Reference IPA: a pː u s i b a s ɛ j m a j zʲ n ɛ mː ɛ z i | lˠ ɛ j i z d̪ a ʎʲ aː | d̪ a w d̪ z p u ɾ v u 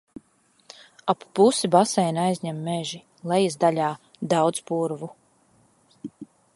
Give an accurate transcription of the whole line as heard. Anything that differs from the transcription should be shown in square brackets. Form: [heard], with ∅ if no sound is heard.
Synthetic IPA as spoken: a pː u s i b a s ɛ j [n] a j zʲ [ɲ] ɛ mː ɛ [ʒ] i | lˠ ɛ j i z d̪ a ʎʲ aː | d̪ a w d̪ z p u ɾ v u